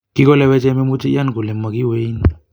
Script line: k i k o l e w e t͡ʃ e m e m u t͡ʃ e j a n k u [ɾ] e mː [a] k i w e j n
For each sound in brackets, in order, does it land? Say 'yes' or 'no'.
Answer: no, yes

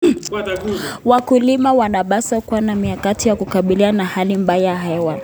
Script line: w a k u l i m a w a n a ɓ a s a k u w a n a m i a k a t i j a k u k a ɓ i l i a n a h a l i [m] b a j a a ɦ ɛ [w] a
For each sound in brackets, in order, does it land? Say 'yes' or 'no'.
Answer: yes, yes

